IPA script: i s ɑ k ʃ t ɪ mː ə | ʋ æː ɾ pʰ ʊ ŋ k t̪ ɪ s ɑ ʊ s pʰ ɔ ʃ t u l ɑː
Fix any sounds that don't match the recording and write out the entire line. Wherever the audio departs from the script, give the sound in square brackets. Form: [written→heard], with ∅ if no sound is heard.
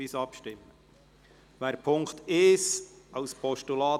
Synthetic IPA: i s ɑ [k→p] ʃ t ɪ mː ə | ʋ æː ɾ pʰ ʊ ŋ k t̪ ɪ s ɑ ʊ s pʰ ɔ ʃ t u l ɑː